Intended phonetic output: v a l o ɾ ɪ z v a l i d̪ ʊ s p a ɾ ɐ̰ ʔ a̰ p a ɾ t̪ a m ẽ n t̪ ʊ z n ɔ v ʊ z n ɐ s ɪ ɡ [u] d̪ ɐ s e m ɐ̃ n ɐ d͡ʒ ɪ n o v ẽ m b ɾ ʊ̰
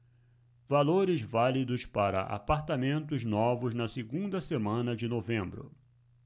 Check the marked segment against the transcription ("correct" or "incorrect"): incorrect